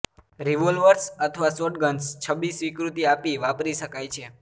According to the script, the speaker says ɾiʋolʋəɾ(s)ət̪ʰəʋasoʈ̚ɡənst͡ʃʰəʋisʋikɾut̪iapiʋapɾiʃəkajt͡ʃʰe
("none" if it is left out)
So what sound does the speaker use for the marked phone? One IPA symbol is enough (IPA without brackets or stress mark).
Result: s